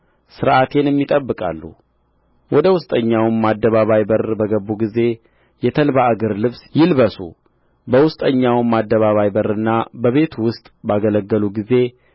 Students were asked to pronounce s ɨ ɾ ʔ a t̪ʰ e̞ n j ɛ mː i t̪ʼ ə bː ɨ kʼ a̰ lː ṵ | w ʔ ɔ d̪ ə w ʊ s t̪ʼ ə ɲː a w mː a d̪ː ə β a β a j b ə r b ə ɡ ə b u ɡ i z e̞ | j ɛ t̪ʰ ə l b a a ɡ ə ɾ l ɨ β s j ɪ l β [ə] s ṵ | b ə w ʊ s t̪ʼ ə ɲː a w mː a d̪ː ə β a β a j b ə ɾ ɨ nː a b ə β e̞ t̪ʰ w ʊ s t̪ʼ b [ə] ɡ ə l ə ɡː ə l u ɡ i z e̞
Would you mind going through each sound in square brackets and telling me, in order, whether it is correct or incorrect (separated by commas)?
correct, incorrect